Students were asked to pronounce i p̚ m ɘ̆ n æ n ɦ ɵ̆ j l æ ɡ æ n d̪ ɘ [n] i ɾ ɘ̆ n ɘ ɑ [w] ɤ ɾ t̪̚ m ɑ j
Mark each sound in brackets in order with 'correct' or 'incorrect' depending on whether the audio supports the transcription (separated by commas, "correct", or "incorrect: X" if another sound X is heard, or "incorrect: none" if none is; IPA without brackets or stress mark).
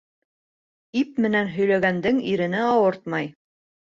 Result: incorrect: ŋ, correct